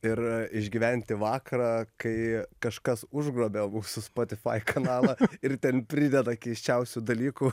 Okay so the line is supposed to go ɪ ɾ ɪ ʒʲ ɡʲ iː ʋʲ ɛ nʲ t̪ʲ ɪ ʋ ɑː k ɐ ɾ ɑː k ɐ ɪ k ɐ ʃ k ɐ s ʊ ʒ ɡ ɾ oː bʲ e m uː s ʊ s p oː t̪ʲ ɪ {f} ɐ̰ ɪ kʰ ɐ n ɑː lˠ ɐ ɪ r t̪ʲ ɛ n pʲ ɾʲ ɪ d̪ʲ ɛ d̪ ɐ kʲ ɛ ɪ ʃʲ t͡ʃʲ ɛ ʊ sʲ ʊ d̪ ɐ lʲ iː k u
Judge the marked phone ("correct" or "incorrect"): correct